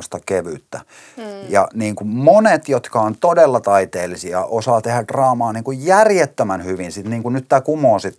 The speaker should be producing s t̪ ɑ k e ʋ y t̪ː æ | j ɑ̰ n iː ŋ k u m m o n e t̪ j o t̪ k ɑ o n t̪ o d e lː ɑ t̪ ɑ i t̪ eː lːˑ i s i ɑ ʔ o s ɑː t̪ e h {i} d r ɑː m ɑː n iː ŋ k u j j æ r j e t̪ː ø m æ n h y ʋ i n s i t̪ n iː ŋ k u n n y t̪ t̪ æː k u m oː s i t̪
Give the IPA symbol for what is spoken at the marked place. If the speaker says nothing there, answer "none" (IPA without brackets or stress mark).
æ